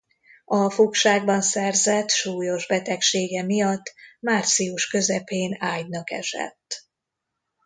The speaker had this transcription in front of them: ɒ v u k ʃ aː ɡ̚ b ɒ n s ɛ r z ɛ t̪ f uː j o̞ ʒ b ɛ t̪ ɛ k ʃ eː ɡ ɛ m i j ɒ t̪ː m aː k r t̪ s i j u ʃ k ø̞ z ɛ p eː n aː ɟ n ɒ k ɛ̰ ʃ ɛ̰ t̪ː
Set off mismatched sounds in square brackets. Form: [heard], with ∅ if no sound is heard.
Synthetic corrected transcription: ɒ [f] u k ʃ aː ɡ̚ b ɒ n s ɛ r z ɛ t̪ [ʃ] uː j o̞ ʒ b ɛ t̪ ɛ k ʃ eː ɡ ɛ m i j ɒ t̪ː m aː [∅] r t̪ s i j u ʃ k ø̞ z ɛ p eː n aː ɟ n ɒ k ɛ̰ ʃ ɛ̰ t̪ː

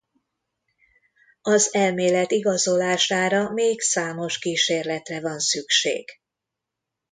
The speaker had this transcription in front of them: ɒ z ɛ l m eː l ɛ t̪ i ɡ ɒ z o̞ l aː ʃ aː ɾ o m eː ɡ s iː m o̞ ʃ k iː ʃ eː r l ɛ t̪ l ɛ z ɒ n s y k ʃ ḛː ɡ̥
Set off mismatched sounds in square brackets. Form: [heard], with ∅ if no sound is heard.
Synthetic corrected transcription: ɒ z ɛ l m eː l ɛ t̪ i ɡ ɒ z o̞ l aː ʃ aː ɾ [ɒ] m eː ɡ s [aː] m o̞ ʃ k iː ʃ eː r l ɛ t̪ [r] ɛ [v] ɒ n s y k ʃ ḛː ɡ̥

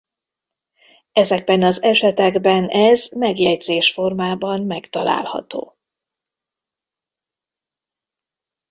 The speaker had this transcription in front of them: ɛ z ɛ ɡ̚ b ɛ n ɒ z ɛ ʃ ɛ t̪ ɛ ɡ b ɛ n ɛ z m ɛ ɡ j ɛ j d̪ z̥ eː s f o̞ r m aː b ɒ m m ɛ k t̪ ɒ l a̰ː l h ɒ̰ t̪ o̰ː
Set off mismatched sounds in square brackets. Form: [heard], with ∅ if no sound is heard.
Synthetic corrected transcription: ɛ z ɛ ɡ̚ b ɛ n ɒ z ɛ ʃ ɛ t̪ ɛ ɡ b ɛ n ɛ z m ɛ ɡ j ɛ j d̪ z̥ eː [ʃ] f o̞ r m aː b ɒ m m ɛ k t̪ ɒ l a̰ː l h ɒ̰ t̪ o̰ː

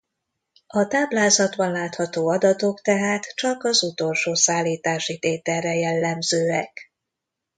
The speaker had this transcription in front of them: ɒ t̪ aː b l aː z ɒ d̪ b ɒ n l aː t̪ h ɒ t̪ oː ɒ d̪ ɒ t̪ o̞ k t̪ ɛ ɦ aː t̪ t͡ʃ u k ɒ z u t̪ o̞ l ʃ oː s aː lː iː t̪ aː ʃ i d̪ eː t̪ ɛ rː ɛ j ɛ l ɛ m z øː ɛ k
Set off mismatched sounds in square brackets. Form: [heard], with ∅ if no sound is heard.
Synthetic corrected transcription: ɒ t̪ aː b l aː z ɒ d̪ b ɒ n l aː t̪ h ɒ t̪ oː ɒ d̪ ɒ t̪ o̞ k t̪ ɛ ɦ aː t̪ t͡ʃ [ɒ] k ɒ z u t̪ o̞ l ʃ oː s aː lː iː t̪ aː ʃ i [t̪] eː t̪ ɛ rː ɛ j ɛ [lː] ɛ m z øː ɛ k

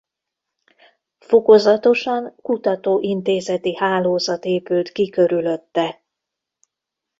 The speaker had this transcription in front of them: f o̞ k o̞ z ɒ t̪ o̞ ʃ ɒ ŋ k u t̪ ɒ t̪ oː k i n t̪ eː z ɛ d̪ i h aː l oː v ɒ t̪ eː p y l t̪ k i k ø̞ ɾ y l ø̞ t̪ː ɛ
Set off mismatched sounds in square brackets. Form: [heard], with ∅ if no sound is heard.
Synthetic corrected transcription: f o̞ k o̞ z ɒ t̪ o̞ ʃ ɒ ŋ k u t̪ ɒ t̪ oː [ʔ] i n t̪ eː z ɛ [t̪] i h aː l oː [z] ɒ t̪ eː p y l t̪ k i k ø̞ ɾ y l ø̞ t̪ː ɛ

